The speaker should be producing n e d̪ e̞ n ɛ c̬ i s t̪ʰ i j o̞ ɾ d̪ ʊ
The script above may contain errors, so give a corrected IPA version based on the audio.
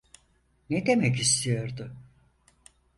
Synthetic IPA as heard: n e d̪ e̞ m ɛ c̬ i s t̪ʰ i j o̞ ɾ d̪ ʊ